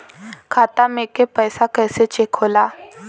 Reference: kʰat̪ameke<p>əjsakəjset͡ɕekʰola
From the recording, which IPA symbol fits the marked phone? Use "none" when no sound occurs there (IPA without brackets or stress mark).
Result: p